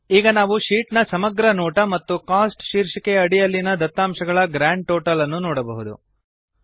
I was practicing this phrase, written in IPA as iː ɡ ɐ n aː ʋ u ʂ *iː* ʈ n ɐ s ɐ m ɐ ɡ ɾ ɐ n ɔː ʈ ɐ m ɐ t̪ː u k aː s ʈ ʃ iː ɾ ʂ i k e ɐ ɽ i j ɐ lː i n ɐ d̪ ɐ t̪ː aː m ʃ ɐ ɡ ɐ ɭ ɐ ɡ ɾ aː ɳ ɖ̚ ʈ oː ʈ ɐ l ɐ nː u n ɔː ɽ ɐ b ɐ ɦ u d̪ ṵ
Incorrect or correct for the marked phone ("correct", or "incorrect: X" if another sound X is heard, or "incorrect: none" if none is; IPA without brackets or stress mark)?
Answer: correct